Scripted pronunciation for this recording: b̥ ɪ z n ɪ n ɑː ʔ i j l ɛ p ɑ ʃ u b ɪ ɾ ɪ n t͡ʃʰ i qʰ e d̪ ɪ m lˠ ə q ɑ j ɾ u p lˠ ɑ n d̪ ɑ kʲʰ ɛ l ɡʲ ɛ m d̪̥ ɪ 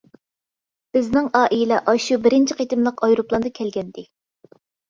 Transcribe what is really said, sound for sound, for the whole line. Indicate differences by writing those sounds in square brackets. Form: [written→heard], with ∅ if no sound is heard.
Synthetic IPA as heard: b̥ ɪ z n ɪ [n→ŋ] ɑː ʔ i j l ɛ [p→ʔ] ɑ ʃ u b ɪ ɾ ɪ n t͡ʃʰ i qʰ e [d̪→t̪] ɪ m lˠ ə q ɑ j ɾ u p lˠ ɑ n d̪ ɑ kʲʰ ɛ l ɡʲ ɛ [m→n] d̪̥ ɪ

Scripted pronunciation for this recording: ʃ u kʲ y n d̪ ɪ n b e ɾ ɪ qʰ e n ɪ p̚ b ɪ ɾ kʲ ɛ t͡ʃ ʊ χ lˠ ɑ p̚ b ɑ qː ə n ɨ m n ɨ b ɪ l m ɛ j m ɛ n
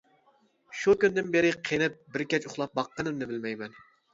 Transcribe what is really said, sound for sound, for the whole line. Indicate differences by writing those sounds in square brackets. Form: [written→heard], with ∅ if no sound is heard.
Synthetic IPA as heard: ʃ u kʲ y n d̪ ɪ n b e ɾ ɪ qʰ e n ɪ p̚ b ɪ ɾ kʲ ɛ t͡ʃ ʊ χ lˠ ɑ p̚ b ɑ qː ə n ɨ m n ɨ b ɪ l m ɛ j m ɛ n

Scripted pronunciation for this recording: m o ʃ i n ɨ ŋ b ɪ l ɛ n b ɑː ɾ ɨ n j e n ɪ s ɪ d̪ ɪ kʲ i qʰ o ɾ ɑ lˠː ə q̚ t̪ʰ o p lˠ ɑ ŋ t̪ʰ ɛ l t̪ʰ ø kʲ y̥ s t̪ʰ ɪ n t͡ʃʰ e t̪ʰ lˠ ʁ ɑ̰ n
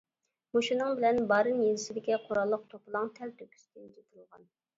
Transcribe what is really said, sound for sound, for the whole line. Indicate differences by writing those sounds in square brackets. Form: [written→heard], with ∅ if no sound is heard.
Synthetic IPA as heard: m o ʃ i n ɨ ŋ b ɪ l ɛ n b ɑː ɾ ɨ n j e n ɪ s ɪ d̪ ɪ kʲ i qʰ o ɾ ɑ lˠː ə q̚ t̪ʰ o p lˠ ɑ ŋ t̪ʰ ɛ l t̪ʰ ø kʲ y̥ s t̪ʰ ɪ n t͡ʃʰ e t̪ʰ lˠ ʁ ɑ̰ n

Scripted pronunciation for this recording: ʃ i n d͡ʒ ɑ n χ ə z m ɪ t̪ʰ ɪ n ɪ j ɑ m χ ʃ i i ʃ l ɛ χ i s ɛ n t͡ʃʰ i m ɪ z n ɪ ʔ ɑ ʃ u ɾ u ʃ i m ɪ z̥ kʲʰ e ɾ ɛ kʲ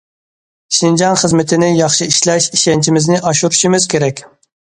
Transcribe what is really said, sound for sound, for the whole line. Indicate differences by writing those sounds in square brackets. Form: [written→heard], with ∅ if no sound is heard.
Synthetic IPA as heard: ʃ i n d͡ʒ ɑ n χ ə z m ɪ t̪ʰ ɪ n ɪ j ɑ [m→∅] χ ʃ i i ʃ l ɛ [χ→ʃ] i [s→ʃ] ɛ n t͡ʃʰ i m ɪ z n ɪ ʔ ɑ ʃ u ɾ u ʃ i m ɪ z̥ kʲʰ e ɾ ɛ kʲ

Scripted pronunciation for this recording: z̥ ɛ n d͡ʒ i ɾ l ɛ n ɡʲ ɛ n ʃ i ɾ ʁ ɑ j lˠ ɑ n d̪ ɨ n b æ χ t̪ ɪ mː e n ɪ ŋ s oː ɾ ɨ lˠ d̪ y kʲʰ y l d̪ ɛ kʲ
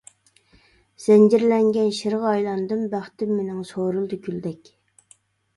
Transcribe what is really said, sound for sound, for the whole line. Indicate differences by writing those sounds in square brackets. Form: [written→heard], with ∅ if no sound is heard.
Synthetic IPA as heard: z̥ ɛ n d͡ʒ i ɾ l ɛ [n→ŋ] ɡʲ ɛ n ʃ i ɾ ʁ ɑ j lˠ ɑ n d̪ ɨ [n→m] b æ χ t̪ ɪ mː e n ɪ ŋ s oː ɾ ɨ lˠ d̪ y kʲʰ y l d̪ ɛ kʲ

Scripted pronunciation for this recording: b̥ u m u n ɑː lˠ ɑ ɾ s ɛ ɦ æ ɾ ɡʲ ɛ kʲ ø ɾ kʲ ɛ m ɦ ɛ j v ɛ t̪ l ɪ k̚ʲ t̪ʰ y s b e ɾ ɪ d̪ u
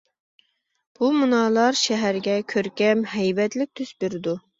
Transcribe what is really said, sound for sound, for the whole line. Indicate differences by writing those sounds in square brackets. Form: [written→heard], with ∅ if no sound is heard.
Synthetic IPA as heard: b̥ u m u n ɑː lˠ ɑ ɾ [s→ʃ] ɛ ɦ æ ɾ ɡʲ ɛ [kʲ→kʲʰ] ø ɾ kʲ ɛ m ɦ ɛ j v ɛ t̪ l ɪ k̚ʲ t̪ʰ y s b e ɾ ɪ d̪ u

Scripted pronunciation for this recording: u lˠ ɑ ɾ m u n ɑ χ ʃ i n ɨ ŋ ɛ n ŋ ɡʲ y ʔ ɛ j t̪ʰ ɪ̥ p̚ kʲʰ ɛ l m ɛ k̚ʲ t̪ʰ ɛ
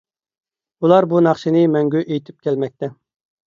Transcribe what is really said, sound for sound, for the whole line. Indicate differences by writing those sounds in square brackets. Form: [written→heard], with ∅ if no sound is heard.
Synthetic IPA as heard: u lˠ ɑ ɾ [m→b] u n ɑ χ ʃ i n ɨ [ŋ→m] ɛ [n→∅] ŋ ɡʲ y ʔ [ɛ→e] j t̪ʰ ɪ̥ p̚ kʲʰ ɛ l m ɛ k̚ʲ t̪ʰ ɛ

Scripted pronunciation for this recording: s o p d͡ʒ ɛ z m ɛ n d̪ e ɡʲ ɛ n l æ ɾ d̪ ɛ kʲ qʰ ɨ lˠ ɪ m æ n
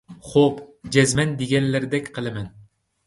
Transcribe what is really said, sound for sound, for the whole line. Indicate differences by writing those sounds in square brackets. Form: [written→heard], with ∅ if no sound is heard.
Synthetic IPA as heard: [s→χ] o p d͡ʒ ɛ z m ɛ n d̪ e ɡʲ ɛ n l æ ɾ d̪ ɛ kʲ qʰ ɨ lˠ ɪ m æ n

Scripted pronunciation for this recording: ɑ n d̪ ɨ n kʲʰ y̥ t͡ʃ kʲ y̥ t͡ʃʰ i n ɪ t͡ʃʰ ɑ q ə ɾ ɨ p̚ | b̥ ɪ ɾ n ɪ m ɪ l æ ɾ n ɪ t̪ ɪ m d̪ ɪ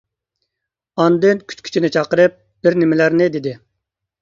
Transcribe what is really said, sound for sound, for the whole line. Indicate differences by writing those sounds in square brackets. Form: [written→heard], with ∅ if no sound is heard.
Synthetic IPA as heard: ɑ n d̪ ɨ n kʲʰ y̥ t͡ʃ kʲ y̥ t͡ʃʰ i n ɪ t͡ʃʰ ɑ q ə ɾ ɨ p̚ | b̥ ɪ ɾ n ɪ m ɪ l æ ɾ n ɪ [t̪→d̪] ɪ [m→∅] d̪ ɪ

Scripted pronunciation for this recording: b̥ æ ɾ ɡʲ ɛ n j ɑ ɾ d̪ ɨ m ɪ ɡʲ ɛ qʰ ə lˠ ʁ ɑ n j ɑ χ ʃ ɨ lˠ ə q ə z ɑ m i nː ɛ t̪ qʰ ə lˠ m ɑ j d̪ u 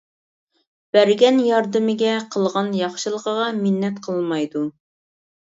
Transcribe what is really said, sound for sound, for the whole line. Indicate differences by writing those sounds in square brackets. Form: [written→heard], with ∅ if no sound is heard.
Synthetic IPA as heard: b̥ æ ɾ ɡʲ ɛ n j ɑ ɾ d̪ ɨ m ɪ ɡʲ ɛ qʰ ə lˠ ʁ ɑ n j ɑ χ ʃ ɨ lˠ ə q ə [z→ʁ] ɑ m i nː ɛ t̪ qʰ ə lˠ m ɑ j d̪ u

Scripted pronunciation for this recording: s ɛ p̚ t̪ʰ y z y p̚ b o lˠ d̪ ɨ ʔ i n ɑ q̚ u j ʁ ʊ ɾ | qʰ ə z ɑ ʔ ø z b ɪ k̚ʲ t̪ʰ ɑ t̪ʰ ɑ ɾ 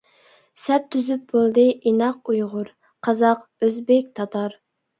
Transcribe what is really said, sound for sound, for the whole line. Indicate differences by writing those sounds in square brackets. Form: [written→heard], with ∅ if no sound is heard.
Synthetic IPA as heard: s ɛ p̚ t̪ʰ y z y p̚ b o lˠ d̪ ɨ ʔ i n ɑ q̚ u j ʁ ʊ ɾ | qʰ [ə→ɑ] z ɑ [ʔ→q] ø z b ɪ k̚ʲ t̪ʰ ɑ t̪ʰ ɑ ɾ

